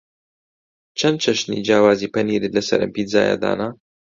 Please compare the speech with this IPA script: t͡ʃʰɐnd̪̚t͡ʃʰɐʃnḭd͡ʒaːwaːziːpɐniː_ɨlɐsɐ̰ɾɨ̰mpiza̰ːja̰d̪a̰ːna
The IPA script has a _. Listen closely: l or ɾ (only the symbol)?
ɾ